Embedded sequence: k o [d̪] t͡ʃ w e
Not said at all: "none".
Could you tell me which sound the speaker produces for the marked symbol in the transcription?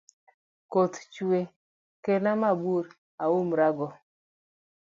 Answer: t̪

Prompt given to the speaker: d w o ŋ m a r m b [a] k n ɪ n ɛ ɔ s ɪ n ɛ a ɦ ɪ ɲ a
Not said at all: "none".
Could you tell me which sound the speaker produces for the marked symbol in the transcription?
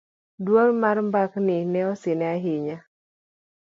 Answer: a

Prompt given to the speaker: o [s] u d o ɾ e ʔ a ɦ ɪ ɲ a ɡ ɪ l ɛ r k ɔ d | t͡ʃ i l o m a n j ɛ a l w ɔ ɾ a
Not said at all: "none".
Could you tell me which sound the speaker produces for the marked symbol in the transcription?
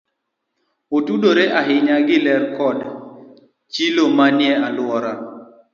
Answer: t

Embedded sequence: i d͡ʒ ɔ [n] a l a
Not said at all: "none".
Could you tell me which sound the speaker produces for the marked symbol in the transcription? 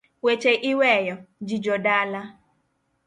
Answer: d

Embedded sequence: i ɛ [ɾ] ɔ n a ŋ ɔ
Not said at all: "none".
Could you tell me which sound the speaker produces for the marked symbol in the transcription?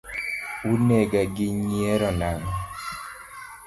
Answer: ɾ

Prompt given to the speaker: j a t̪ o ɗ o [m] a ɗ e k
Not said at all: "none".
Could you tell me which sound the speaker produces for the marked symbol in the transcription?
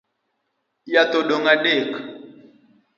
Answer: ŋ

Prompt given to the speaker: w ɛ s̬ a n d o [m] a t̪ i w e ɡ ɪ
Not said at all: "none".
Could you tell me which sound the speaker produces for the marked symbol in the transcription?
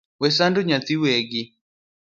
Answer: ɲ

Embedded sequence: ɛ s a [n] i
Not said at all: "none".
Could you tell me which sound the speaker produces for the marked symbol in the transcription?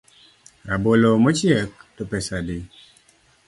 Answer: d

